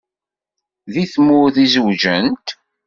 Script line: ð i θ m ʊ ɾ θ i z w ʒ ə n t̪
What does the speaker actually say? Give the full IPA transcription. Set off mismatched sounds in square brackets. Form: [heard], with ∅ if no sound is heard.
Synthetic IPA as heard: ð i θ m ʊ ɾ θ i z w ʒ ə n t̪

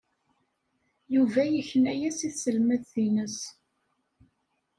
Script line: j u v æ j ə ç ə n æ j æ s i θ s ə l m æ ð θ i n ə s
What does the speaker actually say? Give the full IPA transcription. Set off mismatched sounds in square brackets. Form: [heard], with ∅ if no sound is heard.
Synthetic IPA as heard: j u v æ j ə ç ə n æ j æ s i θ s ə l m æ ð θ i n ə s

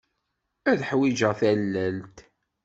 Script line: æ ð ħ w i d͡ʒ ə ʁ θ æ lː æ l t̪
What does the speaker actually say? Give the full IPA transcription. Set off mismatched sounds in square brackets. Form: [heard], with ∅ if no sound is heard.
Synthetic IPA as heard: æ ð ħ w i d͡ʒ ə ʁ θ æ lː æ l t̪

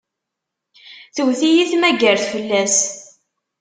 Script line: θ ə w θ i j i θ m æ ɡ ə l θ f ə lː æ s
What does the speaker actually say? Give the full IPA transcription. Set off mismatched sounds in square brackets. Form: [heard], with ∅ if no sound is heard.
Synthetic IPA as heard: θ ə w θ i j i θ m æ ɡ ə [ɾ] θ f ə lː æ s

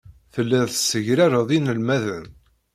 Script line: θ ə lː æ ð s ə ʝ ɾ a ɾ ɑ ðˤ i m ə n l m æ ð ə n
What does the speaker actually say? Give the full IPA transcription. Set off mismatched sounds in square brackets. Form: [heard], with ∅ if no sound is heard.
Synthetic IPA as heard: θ ə lː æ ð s ə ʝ ɾ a ɾ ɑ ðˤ i [n] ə [∅] l m æ ð ə n

